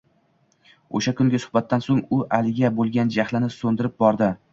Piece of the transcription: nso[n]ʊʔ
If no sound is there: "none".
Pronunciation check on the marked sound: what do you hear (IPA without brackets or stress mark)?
ŋ